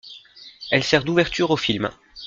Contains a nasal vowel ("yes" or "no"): no